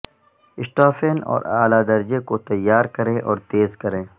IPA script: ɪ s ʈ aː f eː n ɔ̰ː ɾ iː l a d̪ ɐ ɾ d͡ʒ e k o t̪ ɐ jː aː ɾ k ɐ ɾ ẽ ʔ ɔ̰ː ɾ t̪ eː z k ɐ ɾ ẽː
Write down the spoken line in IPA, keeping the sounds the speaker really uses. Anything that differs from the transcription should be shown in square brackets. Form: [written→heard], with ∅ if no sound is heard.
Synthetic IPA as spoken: ɪ s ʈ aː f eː n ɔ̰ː ɾ [iː→aː] l a d̪ ɐ ɾ d͡ʒ e k o t̪ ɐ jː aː ɾ k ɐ ɾ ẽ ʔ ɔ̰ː ɾ t̪ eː z k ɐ ɾ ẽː